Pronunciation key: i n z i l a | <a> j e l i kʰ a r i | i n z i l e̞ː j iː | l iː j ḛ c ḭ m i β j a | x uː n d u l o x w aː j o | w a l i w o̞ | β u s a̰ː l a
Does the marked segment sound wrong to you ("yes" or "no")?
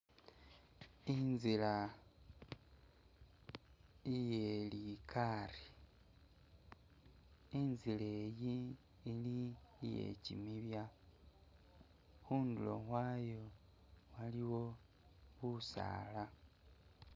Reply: yes